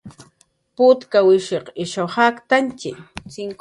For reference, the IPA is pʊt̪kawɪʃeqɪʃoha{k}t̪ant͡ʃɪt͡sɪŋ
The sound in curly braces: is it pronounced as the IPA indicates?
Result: yes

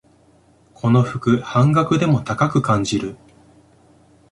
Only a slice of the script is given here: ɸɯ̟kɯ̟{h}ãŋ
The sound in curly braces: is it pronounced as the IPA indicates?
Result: yes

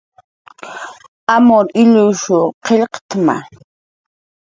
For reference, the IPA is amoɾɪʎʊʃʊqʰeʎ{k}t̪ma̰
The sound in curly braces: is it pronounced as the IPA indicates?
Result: no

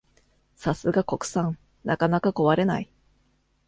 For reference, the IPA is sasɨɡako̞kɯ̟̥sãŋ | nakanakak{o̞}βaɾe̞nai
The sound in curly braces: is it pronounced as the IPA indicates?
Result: yes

